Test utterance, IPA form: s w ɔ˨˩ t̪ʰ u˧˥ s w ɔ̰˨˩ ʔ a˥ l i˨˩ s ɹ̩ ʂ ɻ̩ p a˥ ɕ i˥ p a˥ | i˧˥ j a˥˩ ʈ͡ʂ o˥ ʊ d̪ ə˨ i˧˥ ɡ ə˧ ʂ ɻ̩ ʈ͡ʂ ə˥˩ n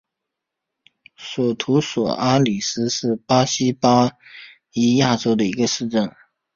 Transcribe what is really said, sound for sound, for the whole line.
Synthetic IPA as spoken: s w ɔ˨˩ t̪ʰ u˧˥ s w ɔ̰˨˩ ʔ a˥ l i˨˩ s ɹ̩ ʂ ɻ̩ p a˥ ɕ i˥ p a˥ | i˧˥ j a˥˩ ʈ͡ʂ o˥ ʊ d̪ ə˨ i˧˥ ɡ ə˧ ʂ ɻ̩ ʈ͡ʂ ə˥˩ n